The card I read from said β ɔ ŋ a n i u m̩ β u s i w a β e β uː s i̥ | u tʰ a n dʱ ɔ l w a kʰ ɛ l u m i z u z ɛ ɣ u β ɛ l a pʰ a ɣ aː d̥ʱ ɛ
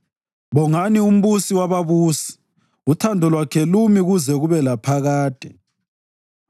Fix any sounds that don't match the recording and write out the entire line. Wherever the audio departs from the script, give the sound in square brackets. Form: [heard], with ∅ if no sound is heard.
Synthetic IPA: β ɔ ŋ a n i u m̩ β u s i w a β [a] β uː s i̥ | u tʰ a n dʱ ɔ l w a kʰ ɛ l u m i [ɣ] u z ɛ ɣ u β ɛ l a pʰ a ɣ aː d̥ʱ ɛ